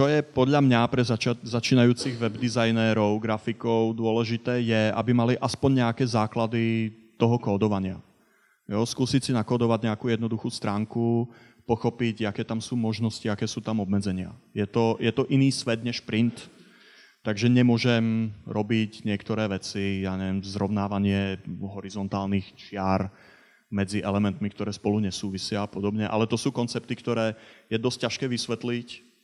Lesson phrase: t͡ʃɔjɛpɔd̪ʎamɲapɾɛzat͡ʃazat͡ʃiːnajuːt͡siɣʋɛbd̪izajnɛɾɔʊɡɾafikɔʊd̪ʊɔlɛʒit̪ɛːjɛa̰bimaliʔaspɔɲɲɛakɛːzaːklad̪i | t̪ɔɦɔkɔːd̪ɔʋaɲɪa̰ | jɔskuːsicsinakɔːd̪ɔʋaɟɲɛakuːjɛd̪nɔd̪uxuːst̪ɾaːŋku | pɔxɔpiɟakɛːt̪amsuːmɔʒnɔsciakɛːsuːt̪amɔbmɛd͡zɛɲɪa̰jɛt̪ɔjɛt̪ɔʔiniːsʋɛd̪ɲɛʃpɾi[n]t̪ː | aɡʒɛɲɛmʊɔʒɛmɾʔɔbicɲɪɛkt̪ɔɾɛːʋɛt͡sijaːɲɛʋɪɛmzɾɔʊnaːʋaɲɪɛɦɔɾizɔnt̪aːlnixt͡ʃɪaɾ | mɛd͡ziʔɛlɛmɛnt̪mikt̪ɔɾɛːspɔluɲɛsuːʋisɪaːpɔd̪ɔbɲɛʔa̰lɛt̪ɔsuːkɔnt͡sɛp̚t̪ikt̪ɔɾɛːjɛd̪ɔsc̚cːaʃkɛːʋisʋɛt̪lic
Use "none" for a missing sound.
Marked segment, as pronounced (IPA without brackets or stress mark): n